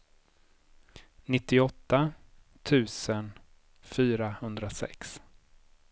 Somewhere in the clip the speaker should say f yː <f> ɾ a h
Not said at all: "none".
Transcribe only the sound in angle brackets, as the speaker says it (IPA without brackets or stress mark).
none